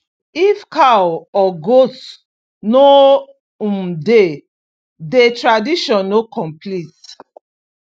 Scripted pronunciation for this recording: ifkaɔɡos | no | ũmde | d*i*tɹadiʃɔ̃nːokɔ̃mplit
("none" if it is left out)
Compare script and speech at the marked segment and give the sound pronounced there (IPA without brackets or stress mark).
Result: e